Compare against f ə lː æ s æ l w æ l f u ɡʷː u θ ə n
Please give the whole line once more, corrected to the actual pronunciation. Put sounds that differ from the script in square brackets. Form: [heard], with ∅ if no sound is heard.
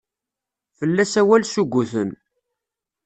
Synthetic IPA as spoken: f ə lː æ s æ [∅] w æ l [s] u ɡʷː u θ ə n